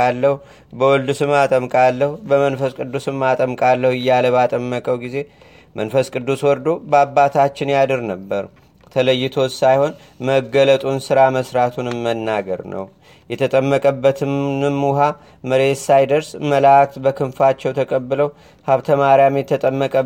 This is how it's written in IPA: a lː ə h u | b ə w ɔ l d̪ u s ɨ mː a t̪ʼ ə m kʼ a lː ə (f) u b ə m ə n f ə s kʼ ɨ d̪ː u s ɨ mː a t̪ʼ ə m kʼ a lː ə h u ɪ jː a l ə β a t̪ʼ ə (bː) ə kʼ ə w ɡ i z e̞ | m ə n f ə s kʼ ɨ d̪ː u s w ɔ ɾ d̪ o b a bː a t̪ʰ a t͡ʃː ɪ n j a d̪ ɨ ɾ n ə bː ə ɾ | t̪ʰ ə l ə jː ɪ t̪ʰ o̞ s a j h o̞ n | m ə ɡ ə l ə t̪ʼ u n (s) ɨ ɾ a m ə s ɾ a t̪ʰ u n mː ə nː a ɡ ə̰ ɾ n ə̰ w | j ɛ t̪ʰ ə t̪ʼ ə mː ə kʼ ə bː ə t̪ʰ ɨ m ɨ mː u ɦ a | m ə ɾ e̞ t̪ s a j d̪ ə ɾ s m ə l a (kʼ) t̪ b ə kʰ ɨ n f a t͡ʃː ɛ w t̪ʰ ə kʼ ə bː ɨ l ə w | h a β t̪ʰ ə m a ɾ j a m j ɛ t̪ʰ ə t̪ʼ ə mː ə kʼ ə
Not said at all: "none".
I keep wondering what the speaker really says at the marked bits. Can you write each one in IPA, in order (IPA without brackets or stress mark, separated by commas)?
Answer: h, mː, s, k